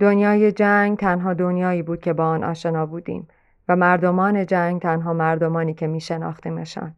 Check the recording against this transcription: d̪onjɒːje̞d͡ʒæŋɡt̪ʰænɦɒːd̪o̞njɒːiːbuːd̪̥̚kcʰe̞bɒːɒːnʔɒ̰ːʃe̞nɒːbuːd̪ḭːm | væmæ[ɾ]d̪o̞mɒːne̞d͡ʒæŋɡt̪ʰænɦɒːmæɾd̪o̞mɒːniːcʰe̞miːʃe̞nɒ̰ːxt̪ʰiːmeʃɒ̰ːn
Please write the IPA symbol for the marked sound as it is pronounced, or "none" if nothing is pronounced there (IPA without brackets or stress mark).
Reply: ɾ